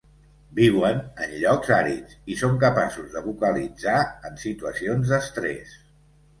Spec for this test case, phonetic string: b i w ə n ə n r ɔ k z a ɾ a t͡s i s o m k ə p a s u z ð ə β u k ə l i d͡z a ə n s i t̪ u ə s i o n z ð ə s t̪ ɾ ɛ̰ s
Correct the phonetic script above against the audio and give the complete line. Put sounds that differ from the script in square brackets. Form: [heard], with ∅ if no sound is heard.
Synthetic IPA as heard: b i w ə n ə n [ʎ] ɔ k z a ɾ [i] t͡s i s o [ŋ] k ə p a s u z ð ə β u k ə l i d͡z a ə n s i t̪ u ə s i o n z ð ə s t̪ ɾ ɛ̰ s